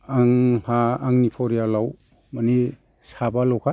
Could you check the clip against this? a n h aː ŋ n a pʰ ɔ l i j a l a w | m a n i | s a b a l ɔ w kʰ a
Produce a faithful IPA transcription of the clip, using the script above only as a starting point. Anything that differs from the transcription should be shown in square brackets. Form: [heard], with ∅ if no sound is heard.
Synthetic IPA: a [ŋ] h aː ŋ n [i] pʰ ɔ [ɾ] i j a l a w | m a n i | s a b a l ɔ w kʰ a